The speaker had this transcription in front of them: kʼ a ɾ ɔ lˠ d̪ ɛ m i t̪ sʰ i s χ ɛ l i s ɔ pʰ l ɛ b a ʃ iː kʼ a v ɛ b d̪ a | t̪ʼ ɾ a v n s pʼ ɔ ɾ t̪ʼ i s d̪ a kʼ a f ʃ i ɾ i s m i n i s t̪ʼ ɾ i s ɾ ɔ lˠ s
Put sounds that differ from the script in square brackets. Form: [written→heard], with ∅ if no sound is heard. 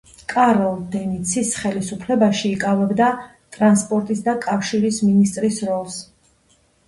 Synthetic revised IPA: kʼ a ɾ ɔ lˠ d̪ ɛ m i t̪ sʰ i s χ ɛ l i s [ɔ→u] pʰ l ɛ b a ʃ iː kʼ a v ɛ b d̪ a | t̪ʼ ɾ a [v→∅] n s pʼ ɔ ɾ t̪ʼ i s d̪ a kʼ a f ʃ i ɾ i s m i n i s t̪ʼ ɾ i s ɾ ɔ lˠ s